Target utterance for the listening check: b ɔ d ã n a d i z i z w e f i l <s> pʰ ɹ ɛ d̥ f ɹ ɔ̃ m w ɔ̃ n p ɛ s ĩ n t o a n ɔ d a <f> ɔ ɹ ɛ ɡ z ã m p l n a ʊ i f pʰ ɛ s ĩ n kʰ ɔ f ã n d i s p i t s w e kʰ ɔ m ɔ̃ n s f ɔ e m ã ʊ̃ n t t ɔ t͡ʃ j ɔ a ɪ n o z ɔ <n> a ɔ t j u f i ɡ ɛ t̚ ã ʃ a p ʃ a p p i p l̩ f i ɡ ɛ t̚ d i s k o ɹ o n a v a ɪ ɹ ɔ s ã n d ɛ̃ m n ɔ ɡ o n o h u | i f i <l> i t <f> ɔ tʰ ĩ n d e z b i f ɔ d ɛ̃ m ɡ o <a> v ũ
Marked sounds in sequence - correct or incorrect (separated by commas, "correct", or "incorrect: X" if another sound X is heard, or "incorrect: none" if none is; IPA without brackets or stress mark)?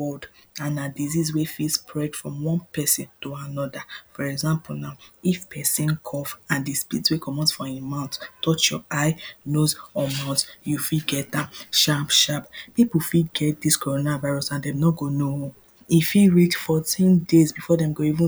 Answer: correct, correct, incorrect: m, incorrect: ɹ, correct, incorrect: i